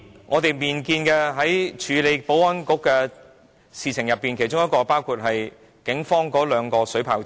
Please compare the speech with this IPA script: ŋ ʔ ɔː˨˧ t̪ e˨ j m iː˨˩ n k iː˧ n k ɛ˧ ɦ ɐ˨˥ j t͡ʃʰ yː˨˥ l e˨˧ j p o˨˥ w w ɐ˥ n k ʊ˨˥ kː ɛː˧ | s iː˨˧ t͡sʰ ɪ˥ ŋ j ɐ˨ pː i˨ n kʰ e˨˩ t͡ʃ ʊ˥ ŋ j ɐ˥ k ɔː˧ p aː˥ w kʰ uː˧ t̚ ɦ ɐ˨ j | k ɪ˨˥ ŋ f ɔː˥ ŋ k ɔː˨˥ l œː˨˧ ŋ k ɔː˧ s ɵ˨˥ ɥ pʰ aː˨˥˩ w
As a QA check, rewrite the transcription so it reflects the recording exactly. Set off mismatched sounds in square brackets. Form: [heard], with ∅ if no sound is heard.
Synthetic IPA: ŋ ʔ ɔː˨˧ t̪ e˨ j m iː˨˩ n k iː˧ n k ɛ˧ ɦ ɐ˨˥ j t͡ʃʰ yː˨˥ l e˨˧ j p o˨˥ w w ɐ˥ n k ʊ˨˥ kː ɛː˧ | s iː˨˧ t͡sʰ [ɪ˨˩] ŋ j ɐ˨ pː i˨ n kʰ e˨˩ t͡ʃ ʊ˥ ŋ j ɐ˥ k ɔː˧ p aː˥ w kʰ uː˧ t̚ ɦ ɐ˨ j | k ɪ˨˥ ŋ f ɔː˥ ŋ k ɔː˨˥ l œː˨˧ ŋ k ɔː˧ s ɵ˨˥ ɥ pʰ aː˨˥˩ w